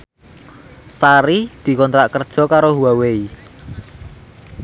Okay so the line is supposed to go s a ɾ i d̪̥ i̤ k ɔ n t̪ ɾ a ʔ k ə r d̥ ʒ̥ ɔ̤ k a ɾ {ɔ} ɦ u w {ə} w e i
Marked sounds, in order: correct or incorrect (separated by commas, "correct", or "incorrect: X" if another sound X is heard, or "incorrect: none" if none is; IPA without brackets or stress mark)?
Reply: incorrect: o, incorrect: a